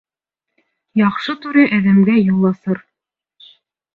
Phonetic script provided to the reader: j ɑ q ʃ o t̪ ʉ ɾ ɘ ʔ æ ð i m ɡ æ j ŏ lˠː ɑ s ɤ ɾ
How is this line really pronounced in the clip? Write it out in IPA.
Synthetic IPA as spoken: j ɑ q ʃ ɤ t̪ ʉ ɾ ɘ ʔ æ ð æ m ɡ æ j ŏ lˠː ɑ s ɤ ɾ